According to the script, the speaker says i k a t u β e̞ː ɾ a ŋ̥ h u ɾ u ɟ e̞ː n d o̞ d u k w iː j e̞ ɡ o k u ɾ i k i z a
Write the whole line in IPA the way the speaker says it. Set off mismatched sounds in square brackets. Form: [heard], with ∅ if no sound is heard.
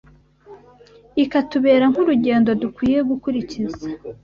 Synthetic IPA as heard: i k a t u β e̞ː ɾ a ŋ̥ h u ɾ u ɟ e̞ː n d o̞ d u k w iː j e̞ ɡ [u] k u ɾ i [c] i z a